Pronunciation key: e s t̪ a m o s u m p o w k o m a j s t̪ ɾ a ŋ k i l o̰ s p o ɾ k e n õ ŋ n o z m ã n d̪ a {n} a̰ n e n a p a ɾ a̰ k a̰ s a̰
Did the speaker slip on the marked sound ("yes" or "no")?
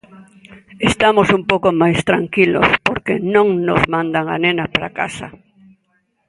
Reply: yes